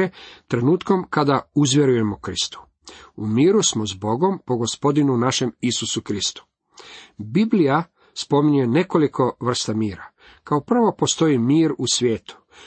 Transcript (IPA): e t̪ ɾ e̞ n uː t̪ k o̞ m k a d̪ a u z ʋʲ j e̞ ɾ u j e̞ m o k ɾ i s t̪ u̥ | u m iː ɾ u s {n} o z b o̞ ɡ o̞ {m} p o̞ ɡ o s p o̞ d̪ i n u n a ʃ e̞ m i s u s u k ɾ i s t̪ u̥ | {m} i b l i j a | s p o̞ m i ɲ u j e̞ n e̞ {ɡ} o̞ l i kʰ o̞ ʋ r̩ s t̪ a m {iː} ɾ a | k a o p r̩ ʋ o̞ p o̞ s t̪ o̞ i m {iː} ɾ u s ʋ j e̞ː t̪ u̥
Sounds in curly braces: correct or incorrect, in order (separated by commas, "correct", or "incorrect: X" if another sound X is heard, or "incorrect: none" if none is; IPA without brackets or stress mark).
incorrect: m, correct, incorrect: b, incorrect: k, correct, correct